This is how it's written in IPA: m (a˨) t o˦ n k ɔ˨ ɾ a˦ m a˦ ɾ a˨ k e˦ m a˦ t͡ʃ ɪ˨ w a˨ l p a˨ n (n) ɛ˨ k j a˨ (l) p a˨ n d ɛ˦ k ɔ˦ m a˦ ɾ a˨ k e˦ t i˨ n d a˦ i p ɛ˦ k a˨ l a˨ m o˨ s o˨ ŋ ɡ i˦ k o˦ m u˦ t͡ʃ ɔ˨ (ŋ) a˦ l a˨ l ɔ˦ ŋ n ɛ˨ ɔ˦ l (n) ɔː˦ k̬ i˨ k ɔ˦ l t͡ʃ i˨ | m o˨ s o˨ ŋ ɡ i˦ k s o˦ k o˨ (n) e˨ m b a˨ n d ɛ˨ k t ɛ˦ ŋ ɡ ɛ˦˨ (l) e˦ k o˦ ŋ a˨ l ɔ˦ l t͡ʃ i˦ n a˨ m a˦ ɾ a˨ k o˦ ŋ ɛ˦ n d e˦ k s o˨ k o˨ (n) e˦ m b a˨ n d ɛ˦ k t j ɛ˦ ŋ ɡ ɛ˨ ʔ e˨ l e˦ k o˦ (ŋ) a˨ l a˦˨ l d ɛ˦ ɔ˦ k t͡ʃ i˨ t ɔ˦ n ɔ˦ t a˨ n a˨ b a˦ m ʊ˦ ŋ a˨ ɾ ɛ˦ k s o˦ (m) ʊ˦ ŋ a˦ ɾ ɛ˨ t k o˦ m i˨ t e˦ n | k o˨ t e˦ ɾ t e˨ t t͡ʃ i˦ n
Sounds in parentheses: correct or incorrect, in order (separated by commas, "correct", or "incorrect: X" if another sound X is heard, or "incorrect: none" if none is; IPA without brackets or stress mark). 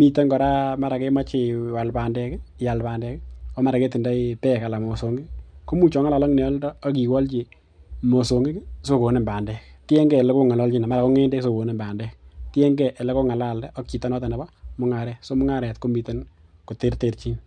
incorrect: i˨, incorrect: d, correct, correct, incorrect: d, correct, correct, correct, correct, correct